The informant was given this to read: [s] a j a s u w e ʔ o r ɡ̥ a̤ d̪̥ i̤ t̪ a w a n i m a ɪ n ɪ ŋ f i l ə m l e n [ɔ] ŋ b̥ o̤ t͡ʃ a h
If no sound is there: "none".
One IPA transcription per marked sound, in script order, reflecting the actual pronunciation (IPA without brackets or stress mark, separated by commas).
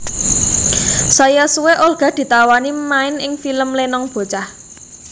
s, ɔ